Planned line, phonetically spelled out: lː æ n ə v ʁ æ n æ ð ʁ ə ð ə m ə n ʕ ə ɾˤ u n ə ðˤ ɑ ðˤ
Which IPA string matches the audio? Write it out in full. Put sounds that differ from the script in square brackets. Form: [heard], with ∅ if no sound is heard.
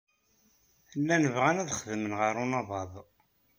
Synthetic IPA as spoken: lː æ n ə v ʁ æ n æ ð [χ] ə ð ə m ə n [ʁ] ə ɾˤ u n [ɑ] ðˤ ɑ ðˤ